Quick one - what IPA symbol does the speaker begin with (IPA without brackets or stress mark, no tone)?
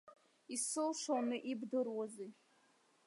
i